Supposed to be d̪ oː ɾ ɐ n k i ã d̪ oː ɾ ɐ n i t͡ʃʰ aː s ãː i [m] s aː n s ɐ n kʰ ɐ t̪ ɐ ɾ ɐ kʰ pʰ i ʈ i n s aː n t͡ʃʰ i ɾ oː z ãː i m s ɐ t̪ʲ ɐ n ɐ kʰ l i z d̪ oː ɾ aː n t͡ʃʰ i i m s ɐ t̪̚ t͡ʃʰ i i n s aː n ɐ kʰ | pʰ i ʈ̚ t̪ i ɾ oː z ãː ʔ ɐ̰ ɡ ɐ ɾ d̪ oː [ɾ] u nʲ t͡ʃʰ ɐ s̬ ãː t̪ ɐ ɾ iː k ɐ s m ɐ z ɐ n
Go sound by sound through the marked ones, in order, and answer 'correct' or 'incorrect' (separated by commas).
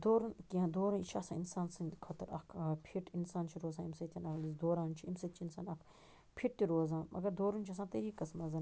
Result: incorrect, correct